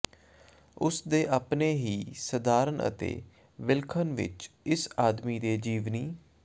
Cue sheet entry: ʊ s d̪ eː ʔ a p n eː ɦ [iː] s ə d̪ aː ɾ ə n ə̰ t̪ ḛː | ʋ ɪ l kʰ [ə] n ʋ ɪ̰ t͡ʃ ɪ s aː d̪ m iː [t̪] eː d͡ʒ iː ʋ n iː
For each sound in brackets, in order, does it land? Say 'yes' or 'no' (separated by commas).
yes, yes, no